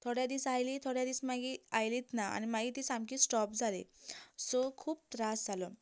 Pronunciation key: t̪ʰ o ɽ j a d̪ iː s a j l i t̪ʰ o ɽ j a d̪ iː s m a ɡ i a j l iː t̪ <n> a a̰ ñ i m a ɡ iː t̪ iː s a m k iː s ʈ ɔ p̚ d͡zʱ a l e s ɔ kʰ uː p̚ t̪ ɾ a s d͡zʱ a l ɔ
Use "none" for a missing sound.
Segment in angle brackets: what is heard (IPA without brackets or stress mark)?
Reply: n